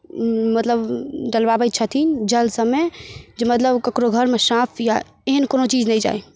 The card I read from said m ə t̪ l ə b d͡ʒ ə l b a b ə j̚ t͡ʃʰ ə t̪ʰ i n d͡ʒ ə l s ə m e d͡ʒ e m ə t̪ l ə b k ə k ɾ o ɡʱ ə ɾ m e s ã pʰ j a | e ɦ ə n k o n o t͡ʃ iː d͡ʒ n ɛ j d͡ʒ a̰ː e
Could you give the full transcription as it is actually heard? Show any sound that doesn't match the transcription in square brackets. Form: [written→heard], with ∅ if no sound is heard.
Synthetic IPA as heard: m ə t̪ l ə b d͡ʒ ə l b a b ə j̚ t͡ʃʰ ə t̪ʰ i n d͡ʒ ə l s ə m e d͡ʒ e m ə t̪ l ə b k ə k ɾ o ɡʱ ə ɾ m e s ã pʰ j a | e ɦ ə n k o n o t͡ʃ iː d͡ʒ n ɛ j d͡ʒ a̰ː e